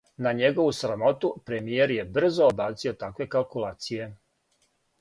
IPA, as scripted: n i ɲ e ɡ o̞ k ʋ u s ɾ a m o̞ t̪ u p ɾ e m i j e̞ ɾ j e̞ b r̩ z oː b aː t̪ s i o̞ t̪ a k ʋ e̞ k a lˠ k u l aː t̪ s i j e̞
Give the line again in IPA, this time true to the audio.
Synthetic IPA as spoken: n a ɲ e ɡ o̞ ʋ u s ɾ a m o̞ t̪ u p ɾ e m i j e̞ ɾ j e̞ b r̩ z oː b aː t̪ s i o̞ t̪ a k ʋ e̞ k a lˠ k u l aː t̪ s i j e̞